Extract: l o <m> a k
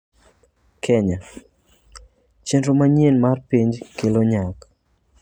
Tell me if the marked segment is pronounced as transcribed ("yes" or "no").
no